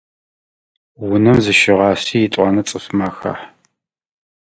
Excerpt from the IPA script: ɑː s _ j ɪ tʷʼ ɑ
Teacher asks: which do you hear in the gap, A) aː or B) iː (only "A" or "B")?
B